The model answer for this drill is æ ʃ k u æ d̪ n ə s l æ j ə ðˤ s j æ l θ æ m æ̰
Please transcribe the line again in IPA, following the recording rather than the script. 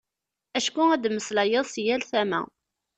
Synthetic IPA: æ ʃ k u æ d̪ m ə s l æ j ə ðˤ s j æ l θ æ m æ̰